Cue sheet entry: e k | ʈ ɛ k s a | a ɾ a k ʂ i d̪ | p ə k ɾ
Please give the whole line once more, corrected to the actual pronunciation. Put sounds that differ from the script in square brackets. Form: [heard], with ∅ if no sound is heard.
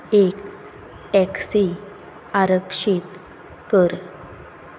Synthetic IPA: e k | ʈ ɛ k s [i] | a ɾ [ə] k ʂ i [t̪] | [k] ə [∅] ɾ